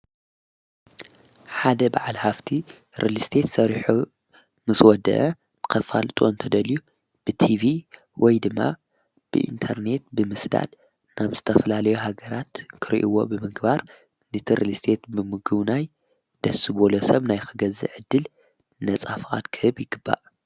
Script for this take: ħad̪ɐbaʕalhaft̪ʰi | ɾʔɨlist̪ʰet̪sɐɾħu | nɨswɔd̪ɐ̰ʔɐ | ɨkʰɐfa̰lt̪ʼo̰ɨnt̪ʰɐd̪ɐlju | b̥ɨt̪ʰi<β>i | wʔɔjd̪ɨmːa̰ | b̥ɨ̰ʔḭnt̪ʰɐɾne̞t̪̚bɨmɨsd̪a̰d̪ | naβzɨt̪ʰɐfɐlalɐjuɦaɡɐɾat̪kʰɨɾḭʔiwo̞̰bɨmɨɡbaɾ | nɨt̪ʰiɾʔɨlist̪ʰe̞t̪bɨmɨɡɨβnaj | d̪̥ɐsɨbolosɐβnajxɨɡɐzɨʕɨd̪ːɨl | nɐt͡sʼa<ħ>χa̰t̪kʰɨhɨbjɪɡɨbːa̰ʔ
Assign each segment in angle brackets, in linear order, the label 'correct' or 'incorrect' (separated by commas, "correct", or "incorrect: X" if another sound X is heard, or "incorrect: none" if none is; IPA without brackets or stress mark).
incorrect: v, incorrect: f